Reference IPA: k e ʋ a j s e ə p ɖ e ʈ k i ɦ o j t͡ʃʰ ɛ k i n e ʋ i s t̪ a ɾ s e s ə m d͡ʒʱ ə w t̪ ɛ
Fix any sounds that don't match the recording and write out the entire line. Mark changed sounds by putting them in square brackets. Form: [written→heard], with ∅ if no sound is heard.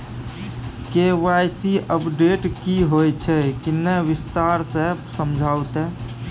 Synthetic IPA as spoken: k e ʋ a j s [e→i] ə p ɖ e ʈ k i ɦ o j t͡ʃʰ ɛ k i n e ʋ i s t̪ a ɾ s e s ə m d͡ʒʱ [ə→a] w t̪ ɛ